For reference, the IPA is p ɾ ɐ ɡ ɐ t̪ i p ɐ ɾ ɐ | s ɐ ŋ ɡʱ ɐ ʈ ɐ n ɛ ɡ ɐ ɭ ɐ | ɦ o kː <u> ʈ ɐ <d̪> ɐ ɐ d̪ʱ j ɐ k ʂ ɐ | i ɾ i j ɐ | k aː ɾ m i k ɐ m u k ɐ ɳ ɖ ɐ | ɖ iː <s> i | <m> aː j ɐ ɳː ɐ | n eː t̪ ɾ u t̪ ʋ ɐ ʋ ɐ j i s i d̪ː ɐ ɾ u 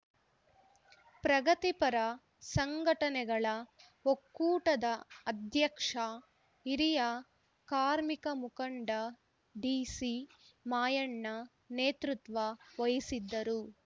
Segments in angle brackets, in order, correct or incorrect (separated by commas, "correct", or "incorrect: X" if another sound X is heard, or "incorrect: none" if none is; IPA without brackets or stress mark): incorrect: uː, correct, correct, correct